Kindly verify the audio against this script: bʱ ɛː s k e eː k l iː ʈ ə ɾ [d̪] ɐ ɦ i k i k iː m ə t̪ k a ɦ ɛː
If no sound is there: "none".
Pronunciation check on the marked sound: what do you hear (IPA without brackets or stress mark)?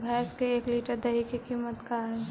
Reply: d̪